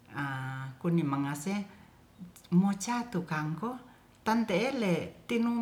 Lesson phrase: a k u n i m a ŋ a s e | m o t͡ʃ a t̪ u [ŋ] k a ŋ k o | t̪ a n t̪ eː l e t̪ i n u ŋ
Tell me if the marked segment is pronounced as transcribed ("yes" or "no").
no